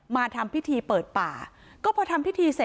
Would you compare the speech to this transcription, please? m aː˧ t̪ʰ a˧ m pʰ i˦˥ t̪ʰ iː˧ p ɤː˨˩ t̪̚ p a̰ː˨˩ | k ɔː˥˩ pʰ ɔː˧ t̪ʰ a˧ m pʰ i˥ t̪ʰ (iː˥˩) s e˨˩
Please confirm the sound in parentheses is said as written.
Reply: no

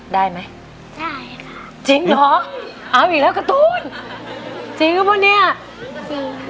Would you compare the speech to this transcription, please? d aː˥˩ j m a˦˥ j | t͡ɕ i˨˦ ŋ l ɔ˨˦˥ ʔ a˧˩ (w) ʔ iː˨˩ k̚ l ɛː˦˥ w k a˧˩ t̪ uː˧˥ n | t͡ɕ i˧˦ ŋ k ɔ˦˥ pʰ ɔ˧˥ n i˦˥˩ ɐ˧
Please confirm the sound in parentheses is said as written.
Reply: yes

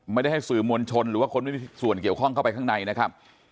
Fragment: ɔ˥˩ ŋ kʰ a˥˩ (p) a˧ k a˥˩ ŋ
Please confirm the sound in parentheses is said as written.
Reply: yes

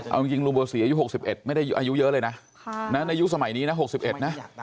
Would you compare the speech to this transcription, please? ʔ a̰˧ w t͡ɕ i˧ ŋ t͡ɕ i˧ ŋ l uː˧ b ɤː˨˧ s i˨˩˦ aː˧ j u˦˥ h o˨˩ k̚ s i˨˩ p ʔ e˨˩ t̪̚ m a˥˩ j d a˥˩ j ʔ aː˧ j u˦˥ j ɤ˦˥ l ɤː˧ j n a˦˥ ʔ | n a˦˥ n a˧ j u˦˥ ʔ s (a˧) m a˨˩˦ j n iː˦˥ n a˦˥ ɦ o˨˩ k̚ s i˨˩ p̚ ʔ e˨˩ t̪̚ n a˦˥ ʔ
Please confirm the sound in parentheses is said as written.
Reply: yes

